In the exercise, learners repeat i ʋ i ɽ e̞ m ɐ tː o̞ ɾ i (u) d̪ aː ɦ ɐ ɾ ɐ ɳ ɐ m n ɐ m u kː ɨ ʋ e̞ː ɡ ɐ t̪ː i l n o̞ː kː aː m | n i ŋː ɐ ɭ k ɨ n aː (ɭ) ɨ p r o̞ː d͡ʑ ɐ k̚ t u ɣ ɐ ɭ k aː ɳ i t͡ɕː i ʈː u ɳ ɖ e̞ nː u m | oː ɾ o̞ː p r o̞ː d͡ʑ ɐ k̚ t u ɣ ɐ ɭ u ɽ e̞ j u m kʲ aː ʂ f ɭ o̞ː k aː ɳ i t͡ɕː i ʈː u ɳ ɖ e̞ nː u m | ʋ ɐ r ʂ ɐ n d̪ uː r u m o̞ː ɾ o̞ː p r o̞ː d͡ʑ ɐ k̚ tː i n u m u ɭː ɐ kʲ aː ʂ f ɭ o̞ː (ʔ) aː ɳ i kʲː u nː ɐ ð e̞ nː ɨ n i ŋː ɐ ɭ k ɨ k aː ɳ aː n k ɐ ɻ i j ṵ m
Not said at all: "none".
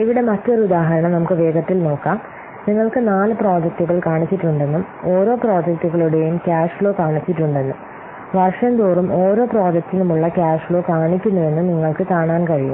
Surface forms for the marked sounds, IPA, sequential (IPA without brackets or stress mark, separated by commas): u, l, k